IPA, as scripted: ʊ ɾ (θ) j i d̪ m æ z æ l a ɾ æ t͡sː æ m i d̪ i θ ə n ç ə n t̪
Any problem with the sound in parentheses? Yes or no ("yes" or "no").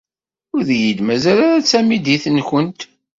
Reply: yes